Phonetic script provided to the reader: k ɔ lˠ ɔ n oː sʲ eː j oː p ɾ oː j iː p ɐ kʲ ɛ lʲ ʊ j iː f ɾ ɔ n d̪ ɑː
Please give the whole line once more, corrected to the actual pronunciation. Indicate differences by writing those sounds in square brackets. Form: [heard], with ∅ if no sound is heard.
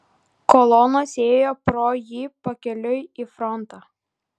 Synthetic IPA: k ɔ lˠ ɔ n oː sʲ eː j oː p ɾ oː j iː p ɐ kʲ ɛ lʲ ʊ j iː f ɾ ɔ n [t̪] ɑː